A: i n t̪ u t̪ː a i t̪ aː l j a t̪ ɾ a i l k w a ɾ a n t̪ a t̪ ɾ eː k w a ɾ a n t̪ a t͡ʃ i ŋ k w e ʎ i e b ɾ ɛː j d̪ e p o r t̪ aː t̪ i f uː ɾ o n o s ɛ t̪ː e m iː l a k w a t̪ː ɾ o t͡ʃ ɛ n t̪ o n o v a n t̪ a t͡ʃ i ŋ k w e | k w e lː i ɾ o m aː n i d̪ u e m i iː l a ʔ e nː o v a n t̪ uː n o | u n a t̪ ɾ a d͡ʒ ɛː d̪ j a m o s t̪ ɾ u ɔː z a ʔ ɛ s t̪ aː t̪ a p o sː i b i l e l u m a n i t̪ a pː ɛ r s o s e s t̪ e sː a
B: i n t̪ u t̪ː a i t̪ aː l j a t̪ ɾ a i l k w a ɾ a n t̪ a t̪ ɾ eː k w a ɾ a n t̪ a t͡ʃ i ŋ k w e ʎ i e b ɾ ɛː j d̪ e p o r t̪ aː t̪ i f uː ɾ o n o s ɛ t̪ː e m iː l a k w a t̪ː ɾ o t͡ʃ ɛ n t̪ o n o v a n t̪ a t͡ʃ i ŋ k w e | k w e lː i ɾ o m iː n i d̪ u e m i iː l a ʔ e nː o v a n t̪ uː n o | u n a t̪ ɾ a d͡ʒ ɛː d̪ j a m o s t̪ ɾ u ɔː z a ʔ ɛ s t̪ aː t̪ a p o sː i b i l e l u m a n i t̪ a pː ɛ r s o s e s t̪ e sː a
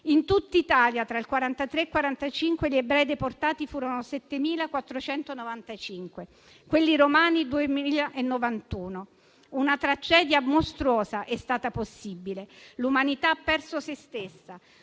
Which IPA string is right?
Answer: A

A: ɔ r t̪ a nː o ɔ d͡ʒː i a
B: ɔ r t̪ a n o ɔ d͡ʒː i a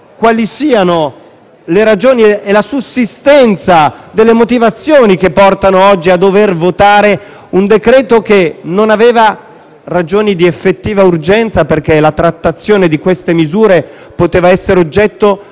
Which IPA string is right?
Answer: B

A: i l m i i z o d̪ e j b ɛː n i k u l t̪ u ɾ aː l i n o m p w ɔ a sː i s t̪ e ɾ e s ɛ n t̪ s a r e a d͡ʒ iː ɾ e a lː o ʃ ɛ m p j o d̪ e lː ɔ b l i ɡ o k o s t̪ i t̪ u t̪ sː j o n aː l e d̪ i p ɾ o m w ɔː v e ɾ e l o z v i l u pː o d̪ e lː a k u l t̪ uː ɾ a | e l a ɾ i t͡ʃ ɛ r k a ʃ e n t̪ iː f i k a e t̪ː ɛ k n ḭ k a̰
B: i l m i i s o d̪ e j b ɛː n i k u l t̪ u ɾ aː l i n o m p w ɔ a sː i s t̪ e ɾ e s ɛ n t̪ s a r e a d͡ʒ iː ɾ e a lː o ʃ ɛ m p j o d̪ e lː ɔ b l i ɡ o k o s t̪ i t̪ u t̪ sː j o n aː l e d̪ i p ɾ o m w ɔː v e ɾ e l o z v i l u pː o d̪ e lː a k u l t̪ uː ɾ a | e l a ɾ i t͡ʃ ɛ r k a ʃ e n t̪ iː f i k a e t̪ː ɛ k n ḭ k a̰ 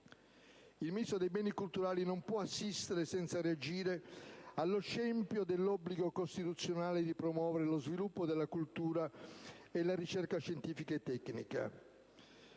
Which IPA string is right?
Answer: B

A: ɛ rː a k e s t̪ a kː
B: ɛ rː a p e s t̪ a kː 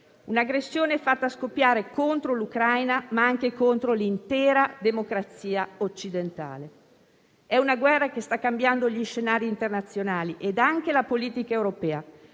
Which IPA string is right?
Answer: A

